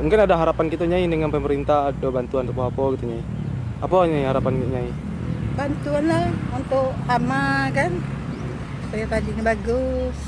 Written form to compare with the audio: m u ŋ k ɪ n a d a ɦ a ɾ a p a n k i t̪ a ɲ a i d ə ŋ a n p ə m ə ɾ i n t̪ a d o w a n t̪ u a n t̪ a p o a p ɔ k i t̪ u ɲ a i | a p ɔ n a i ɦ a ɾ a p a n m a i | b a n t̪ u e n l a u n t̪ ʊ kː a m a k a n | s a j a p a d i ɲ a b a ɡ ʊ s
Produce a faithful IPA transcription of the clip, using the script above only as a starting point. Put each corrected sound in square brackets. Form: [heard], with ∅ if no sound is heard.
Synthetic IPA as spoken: m u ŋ k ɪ n a d a ɦ a ɾ a p a n k i t̪ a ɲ a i d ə ŋ a n p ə m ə ɾ i n t̪ a d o [b] a n t̪ u a n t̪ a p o a p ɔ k i t̪ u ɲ a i | a p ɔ [ɲ] a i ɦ a ɾ a p a n [ɲ] a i | b a n t̪ u [a] n l a u n t̪ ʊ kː a m a k a n | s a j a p a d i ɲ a b a ɡ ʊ s